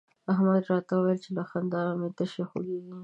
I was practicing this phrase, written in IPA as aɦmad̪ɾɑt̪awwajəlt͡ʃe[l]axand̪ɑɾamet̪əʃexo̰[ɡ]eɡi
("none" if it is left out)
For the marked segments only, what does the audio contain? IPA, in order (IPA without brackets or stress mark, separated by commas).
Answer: l, ɡ